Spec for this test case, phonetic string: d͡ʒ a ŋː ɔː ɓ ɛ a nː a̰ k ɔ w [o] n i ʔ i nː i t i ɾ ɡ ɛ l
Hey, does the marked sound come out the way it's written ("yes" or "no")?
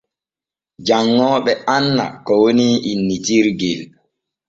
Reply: yes